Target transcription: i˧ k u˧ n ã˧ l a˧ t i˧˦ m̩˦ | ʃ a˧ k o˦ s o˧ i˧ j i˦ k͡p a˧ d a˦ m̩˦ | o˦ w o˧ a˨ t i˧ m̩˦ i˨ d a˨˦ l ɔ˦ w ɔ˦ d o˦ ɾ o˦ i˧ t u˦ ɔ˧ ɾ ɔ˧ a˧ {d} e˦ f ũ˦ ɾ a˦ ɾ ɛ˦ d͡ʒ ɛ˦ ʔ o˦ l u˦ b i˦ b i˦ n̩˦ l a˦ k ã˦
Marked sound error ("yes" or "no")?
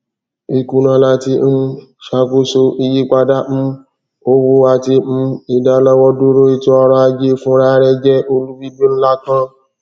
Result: yes